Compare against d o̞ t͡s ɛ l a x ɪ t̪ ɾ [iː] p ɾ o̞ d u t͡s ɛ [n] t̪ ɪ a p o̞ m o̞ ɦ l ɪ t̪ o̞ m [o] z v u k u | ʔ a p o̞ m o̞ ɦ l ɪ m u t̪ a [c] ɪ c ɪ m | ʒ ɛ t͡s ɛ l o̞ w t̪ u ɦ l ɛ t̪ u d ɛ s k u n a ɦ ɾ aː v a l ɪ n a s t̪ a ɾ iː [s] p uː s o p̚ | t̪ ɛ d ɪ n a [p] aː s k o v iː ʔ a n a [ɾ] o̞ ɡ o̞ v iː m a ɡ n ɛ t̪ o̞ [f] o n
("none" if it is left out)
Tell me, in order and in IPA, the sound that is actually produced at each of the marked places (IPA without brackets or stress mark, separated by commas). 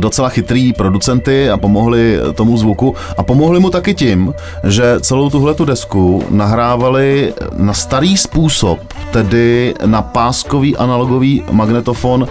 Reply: iː, n, u, k, s, p, l, f